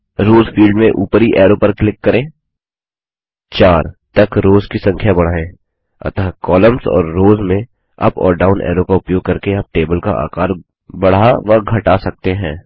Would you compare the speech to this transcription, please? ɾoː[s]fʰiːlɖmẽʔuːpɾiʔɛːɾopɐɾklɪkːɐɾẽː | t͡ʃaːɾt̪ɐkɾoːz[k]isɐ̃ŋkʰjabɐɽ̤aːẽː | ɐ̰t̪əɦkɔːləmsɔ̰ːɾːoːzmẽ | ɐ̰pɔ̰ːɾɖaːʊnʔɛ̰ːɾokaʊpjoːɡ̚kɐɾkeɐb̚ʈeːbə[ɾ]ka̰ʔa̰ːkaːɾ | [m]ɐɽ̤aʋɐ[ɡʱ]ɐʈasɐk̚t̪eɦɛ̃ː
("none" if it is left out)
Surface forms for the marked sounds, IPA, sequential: z, k, l, b, ɡʱ

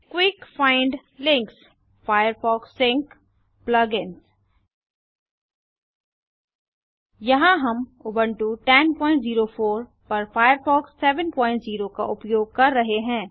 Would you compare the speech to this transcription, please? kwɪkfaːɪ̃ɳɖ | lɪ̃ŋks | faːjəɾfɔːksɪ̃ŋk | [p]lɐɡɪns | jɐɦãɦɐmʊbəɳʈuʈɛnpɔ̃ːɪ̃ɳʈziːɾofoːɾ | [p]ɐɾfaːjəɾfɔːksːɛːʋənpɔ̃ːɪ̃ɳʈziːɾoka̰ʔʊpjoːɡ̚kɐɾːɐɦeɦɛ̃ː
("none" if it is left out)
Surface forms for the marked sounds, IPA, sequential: p, p

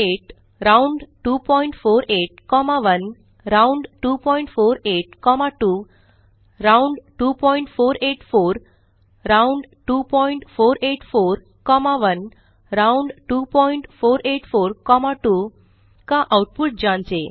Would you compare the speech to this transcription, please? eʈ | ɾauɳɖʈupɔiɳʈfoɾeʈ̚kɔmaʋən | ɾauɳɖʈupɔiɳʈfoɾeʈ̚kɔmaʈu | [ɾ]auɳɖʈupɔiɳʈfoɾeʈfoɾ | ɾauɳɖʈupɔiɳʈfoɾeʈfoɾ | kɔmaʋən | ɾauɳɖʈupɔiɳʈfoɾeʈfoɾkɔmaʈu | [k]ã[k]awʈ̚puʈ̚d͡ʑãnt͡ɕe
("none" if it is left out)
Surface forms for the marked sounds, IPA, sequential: ɾ, k, ʔ

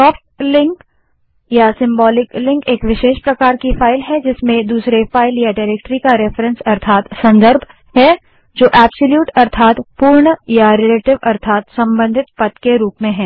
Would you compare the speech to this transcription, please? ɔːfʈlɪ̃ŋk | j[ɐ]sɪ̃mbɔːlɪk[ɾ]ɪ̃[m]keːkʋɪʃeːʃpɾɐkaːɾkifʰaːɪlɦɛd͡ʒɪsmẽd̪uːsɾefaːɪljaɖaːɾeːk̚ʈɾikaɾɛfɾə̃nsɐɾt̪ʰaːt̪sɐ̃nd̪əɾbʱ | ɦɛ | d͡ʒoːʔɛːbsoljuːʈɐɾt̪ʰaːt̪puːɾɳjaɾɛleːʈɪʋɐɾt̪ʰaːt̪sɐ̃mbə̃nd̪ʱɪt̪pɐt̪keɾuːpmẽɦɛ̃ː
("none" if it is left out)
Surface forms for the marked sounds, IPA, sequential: a, l, ŋ

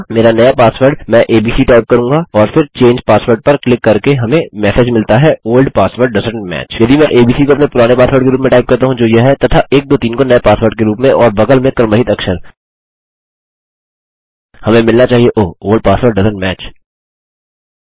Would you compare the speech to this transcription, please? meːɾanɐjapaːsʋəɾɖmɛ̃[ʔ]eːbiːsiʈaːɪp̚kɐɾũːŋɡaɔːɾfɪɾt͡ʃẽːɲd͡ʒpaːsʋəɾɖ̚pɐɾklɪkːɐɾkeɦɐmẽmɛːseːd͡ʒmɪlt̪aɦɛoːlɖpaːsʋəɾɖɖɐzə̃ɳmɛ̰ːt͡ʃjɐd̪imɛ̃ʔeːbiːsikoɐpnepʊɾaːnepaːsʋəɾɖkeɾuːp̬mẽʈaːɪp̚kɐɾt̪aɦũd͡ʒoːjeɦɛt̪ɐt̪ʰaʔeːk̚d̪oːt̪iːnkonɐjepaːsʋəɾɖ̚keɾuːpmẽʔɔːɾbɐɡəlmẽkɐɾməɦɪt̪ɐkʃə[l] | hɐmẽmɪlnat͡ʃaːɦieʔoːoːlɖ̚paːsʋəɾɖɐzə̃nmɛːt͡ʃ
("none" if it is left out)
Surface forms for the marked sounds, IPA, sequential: ʔ, ɾ

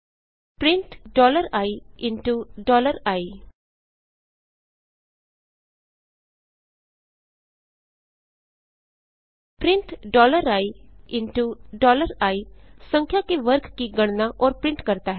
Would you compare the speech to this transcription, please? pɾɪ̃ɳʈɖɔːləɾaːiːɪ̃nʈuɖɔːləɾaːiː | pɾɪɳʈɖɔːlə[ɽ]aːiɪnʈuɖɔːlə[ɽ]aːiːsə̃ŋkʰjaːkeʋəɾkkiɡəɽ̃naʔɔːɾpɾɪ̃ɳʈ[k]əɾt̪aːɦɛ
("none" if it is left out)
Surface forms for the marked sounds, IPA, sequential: ɾ, ɾ, k

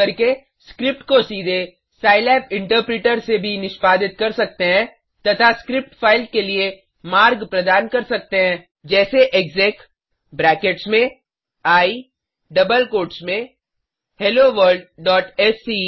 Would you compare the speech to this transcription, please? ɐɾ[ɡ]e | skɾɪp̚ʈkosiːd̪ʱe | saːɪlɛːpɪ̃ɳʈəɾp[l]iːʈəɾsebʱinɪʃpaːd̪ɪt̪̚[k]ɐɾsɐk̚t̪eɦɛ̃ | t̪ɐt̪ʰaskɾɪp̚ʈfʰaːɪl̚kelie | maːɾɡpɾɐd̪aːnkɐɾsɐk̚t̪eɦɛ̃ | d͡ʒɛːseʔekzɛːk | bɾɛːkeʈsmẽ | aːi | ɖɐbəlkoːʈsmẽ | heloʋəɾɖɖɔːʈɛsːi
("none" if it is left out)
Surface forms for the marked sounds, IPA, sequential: k, ɾ, k

